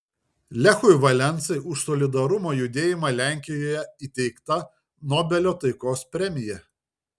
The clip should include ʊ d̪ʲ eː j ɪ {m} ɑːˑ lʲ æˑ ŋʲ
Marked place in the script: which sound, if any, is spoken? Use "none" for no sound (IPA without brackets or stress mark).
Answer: m